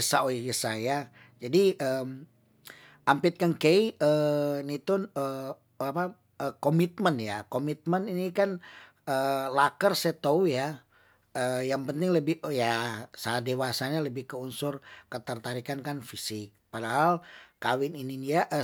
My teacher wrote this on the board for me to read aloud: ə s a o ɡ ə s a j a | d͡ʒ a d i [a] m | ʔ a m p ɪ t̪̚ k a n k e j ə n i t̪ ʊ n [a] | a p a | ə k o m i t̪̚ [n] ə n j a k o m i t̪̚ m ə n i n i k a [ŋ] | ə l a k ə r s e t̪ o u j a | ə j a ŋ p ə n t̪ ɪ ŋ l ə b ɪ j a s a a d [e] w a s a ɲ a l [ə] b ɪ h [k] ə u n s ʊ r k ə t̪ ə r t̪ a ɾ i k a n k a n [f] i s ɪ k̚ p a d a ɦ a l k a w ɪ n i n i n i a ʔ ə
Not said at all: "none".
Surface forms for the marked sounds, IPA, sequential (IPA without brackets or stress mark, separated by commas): ə, ə, m, n, e, ə, k, f